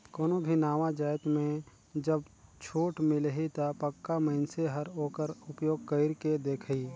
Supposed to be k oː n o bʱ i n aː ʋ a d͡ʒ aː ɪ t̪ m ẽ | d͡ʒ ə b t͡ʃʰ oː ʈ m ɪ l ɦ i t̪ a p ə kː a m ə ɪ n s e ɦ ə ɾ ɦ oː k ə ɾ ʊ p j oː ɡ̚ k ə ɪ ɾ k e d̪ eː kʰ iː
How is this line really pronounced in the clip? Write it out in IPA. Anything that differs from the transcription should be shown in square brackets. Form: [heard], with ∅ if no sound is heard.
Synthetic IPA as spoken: k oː n o bʱ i n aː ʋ a d͡ʒ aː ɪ t̪ m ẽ | d͡ʒ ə b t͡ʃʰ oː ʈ m ɪ l ɦ i t̪ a p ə kː a m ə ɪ n s e ɦ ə ɾ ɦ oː k ə ɾ ʊ p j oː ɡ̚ k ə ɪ ɾ k e d̪ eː kʰ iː